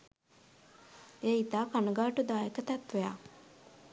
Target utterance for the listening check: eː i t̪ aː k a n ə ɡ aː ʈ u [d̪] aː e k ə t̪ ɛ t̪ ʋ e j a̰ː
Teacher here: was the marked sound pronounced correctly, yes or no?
yes